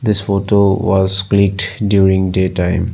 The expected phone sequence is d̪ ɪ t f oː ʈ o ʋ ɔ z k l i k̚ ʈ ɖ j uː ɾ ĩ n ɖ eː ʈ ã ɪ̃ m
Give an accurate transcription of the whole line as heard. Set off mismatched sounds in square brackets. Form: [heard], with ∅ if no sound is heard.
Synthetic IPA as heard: d̪ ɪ [s] f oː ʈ o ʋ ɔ z k l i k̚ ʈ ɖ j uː ɾ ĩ [ŋ] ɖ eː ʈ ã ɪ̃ m